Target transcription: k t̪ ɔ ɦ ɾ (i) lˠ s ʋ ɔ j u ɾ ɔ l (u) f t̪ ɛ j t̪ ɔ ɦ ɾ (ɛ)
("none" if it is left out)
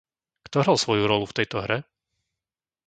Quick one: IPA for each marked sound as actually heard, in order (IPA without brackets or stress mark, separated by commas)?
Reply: a, u, ɛ